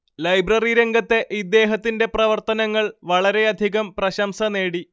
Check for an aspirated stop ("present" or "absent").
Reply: absent